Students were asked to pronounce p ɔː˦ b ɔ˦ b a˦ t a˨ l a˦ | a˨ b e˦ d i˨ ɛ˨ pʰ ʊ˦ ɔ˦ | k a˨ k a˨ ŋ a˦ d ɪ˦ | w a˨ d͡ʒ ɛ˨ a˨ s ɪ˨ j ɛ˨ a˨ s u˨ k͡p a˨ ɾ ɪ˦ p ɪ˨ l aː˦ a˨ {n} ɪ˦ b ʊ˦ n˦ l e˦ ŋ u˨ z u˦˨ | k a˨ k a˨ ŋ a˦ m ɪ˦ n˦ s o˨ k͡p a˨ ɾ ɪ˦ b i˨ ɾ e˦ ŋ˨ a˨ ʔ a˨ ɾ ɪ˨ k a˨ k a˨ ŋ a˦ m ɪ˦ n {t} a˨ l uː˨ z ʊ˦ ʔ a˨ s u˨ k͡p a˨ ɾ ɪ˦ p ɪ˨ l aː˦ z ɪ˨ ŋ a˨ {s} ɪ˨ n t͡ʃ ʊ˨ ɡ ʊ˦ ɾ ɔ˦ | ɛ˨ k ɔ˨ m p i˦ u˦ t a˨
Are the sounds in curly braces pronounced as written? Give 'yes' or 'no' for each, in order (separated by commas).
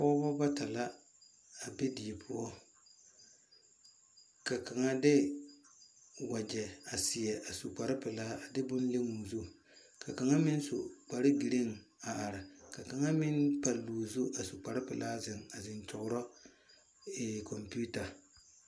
no, no, no